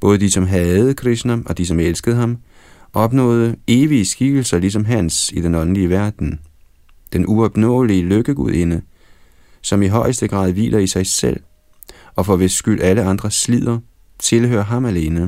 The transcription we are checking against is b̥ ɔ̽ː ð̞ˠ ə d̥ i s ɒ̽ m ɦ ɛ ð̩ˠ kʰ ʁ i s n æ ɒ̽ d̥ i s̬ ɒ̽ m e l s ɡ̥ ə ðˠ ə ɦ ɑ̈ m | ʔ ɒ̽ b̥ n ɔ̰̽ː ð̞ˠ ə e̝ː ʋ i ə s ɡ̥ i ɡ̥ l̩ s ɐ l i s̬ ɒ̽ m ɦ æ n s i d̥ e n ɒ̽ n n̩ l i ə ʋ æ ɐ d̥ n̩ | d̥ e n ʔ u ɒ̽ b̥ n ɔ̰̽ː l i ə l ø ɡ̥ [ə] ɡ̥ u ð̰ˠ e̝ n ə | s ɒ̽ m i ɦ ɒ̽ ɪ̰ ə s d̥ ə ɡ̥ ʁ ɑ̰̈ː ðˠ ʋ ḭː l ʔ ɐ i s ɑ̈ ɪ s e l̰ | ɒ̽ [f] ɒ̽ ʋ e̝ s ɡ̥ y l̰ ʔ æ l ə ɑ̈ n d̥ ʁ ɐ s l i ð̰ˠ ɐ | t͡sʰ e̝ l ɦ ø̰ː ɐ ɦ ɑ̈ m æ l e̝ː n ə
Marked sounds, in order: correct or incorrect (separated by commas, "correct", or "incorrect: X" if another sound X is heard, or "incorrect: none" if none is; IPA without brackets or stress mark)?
correct, correct